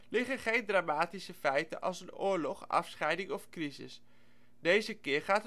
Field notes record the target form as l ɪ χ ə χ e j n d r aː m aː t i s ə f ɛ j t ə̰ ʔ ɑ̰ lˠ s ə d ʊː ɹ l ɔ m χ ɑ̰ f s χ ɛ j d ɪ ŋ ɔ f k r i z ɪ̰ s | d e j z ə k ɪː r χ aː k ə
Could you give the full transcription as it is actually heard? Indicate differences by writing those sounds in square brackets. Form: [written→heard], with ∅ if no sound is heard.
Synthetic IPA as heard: l ɪ χ ə χ e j n d r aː m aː t i s ə f ɛ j t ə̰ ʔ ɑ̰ lˠ s ə [d→n] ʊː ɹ l ɔ [m→∅] χ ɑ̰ f s χ ɛ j d ɪ ŋ ɔ f k r i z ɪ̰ s | d e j z ə k ɪː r χ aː [k→t] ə